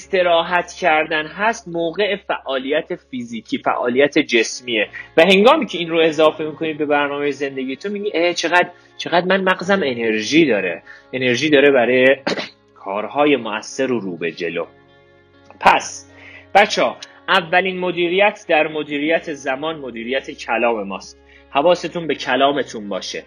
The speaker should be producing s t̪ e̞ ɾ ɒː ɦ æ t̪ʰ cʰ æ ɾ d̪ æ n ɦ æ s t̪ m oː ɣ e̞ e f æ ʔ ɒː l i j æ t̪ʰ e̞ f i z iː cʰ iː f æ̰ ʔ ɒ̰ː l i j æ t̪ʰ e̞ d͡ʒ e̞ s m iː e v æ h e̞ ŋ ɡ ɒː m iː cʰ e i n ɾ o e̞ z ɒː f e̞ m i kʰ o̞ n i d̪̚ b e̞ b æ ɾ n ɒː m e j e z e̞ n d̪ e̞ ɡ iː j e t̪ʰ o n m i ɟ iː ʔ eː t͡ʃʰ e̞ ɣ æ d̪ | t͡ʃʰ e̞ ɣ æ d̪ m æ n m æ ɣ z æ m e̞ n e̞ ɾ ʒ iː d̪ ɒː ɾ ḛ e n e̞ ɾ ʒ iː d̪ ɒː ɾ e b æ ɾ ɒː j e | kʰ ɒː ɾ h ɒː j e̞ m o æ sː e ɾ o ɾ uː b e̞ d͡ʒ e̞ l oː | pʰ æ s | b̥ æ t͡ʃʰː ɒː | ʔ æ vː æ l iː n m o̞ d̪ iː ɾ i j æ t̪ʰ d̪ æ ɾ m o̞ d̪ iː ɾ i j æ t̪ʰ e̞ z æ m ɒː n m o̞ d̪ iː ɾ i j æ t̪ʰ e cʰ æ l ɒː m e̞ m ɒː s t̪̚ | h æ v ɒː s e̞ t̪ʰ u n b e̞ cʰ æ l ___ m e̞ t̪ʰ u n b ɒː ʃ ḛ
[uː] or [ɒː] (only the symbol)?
ɒː